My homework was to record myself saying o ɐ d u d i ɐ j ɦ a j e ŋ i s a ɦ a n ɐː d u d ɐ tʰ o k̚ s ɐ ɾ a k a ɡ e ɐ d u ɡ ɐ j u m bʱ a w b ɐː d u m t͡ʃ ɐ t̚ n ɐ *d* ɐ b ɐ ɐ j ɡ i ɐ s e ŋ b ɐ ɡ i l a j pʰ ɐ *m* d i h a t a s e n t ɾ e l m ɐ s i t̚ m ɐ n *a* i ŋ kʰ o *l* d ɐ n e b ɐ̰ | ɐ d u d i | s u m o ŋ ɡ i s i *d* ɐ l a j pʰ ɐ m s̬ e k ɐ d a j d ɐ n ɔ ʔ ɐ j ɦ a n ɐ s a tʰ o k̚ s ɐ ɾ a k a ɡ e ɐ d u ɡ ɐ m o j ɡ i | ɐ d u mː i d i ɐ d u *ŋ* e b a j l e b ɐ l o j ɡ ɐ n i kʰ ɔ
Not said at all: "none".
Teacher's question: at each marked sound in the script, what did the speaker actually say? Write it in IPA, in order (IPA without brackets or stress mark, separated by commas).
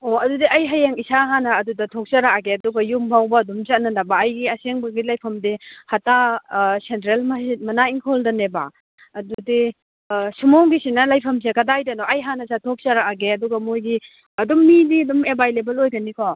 n, m, a, l, n, m